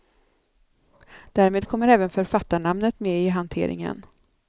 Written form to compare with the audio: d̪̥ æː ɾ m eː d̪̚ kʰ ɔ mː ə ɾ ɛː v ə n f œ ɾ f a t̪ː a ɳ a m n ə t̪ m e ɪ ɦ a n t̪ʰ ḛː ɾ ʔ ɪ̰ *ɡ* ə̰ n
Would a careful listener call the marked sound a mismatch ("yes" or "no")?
yes